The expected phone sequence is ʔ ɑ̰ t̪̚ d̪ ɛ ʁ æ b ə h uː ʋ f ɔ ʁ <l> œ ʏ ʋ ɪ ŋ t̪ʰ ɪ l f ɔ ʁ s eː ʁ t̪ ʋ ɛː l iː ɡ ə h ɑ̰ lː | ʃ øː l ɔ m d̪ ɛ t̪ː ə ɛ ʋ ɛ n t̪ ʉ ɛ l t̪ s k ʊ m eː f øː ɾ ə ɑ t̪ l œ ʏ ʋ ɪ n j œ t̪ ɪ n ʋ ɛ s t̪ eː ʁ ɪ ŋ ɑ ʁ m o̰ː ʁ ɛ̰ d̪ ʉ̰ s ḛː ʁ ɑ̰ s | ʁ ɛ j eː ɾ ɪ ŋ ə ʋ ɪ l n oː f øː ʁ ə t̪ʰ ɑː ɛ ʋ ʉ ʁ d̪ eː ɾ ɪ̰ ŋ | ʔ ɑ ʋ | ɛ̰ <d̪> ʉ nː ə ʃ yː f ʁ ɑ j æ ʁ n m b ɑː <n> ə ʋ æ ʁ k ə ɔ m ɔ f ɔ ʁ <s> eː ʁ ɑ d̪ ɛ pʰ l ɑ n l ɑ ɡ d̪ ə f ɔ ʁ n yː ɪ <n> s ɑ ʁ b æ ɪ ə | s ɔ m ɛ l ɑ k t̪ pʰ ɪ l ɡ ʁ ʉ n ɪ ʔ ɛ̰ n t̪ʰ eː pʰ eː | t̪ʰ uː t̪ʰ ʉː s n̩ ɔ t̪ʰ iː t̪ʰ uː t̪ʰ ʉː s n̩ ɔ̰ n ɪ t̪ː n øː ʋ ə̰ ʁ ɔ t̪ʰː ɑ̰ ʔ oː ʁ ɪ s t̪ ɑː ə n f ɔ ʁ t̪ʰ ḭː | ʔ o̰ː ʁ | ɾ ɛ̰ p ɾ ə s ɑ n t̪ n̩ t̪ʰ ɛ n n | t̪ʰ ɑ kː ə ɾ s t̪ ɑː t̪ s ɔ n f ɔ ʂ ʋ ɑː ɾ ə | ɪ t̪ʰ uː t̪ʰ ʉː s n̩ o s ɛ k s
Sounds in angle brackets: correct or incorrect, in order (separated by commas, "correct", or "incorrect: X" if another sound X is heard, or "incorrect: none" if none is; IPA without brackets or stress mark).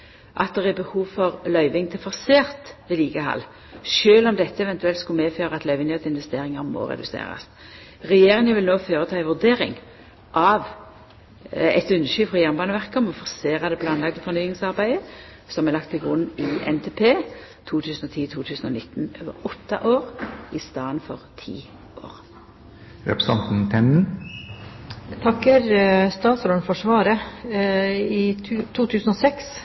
correct, incorrect: t̪, correct, correct, incorrect: ŋ